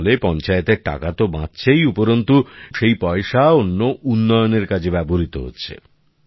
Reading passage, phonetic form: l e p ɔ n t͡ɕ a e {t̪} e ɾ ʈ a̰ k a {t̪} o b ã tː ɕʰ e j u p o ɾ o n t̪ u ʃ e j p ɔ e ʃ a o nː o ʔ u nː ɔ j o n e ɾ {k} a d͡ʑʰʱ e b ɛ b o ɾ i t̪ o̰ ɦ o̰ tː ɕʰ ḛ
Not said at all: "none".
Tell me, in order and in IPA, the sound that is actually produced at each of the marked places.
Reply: t̪, t̪, k

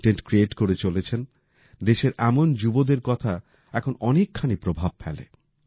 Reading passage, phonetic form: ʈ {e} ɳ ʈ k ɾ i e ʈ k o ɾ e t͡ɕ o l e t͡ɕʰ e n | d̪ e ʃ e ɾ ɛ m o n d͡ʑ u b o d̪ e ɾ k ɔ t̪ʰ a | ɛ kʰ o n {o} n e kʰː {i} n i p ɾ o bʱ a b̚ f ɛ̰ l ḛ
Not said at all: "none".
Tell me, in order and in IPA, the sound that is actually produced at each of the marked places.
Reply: e, ɔ, a

